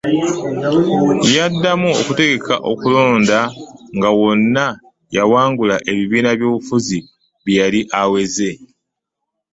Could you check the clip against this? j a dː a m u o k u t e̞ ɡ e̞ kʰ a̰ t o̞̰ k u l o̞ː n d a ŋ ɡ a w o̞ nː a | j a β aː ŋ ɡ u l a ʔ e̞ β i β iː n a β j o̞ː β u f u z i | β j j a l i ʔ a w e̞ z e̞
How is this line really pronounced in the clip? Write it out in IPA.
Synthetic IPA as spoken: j a dː a m u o k u t e̞ ɡ e̞ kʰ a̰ ʔ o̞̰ k u l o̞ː n d a ŋ ɡ a w o̞ nː a | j a w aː ŋ ɡ u l a ʔ e̞ β i β iː n a β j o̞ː β u f u z i | β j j a l i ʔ a w e̞ z e̞